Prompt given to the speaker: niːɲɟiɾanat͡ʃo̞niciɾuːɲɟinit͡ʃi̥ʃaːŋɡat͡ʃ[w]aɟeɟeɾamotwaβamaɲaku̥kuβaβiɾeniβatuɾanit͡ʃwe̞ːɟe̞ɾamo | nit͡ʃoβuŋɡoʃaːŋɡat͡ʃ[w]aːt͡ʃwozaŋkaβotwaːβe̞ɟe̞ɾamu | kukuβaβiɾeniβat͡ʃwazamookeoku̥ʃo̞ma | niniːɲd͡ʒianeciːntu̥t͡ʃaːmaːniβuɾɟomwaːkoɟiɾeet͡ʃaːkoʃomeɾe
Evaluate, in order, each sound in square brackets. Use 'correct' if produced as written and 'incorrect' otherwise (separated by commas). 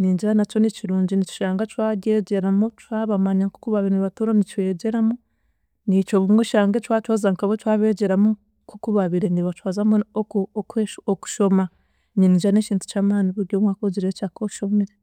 correct, correct